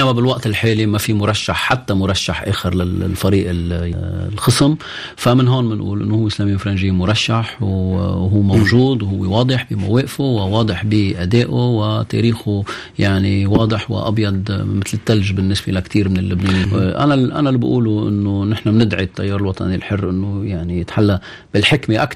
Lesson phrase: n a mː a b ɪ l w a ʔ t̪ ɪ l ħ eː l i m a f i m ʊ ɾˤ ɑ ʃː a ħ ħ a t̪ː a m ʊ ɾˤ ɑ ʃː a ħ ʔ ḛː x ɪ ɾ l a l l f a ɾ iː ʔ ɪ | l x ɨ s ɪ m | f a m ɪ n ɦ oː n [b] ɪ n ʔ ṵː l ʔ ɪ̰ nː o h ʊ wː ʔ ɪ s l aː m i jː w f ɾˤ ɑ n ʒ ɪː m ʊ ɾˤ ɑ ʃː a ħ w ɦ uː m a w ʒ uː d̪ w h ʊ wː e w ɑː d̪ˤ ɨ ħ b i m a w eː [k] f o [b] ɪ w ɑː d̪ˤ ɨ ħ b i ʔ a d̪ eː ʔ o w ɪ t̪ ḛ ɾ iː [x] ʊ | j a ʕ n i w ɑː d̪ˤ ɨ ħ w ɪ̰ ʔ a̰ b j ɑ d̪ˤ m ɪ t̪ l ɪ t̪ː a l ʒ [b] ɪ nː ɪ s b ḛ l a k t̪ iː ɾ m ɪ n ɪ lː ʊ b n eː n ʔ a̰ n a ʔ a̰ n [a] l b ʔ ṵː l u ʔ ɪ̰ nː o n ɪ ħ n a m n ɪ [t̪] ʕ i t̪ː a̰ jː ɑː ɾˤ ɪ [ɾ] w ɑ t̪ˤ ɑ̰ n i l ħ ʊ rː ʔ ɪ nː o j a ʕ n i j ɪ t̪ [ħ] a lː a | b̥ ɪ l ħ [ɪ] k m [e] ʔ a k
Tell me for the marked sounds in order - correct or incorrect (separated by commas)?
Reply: incorrect, incorrect, incorrect, correct, correct, correct, incorrect, incorrect, correct, correct, correct